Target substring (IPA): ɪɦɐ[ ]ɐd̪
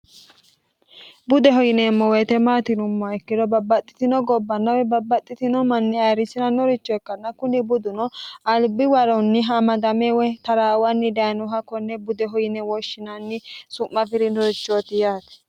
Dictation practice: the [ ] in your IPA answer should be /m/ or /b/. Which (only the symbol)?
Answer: m